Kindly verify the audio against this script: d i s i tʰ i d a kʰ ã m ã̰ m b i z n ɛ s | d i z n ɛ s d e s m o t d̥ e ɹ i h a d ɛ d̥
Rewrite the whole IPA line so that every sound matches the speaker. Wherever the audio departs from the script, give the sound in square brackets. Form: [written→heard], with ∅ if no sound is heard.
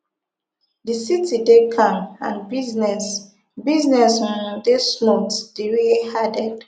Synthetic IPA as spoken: d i s i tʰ i d [a→e] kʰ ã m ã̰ [m→n] b i z n ɛ s | [d→b] i z n ɛ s d e s m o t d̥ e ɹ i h a d ɛ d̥